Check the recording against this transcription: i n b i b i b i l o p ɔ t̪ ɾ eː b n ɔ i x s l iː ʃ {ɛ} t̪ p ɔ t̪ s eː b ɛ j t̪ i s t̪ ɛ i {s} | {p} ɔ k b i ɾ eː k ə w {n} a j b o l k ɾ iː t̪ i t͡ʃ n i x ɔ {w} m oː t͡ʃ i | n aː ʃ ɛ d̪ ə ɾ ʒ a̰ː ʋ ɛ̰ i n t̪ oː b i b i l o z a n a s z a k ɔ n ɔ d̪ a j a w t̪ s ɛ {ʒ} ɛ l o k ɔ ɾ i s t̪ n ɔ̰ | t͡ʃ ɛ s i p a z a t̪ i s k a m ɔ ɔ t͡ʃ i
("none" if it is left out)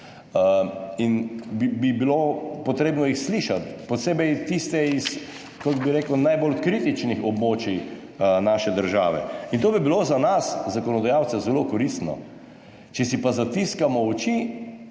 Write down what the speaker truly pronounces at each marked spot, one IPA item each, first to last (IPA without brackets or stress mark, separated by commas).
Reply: a, s, k, n, b, z